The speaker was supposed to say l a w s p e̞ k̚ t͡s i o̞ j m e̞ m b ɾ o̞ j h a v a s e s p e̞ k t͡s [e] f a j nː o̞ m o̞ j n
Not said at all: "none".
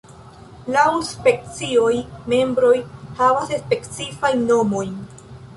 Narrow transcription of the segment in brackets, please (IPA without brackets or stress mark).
i